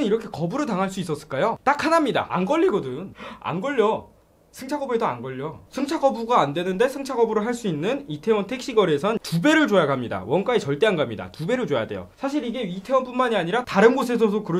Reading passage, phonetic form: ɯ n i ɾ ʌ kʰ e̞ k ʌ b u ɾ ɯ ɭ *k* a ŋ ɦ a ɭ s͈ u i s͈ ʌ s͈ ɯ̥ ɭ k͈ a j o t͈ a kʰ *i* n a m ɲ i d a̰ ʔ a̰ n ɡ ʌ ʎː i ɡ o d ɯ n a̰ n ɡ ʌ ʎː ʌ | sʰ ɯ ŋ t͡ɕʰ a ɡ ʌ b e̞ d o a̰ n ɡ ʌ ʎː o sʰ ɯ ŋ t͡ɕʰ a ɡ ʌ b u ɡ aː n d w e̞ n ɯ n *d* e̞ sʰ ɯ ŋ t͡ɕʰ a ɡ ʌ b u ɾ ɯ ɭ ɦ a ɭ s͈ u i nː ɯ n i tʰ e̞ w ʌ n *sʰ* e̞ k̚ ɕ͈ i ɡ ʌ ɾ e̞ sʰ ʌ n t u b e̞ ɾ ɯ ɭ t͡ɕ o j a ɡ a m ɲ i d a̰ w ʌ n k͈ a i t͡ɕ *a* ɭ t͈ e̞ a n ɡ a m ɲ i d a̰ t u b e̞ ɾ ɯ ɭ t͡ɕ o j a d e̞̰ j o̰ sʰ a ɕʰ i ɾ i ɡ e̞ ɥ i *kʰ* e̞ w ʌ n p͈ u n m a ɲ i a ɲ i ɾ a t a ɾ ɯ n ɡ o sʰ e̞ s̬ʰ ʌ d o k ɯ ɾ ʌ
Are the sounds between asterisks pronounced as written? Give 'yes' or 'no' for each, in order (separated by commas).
no, no, yes, no, no, no